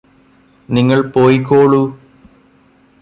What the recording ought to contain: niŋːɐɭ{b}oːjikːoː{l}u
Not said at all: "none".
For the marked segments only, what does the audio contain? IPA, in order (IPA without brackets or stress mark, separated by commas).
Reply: p, ɭ